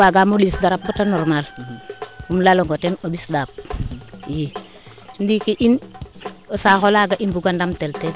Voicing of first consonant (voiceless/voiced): voiced